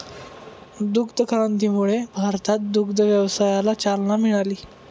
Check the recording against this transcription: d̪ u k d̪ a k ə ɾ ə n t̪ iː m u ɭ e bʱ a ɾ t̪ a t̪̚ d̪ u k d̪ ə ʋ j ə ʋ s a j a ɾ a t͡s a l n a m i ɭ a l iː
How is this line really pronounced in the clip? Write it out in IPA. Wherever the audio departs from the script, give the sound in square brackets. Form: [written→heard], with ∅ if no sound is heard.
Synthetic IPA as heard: d̪ u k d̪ [a→ə] k ə ɾ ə n t̪ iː m u ɭ e bʱ a ɾ t̪ a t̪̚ d̪ u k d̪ ə ʋ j ə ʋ s a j a [ɾ→l] a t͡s a l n a m i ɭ a l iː